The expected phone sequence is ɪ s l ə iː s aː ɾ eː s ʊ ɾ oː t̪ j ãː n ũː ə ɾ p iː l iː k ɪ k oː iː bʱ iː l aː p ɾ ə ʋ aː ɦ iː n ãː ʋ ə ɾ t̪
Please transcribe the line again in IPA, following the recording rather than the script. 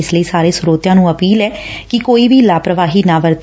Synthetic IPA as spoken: ɪ s l ə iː s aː ɾ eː s ʊ ɾ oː t̪ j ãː n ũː ə p iː l ɛː k ɪ k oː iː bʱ iː l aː p ɾ ə ʋ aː ɦ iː n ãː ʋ ə ɾ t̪